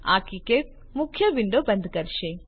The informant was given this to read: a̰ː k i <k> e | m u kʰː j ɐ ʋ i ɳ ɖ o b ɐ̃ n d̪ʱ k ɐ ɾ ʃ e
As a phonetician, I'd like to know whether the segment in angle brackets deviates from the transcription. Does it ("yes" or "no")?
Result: no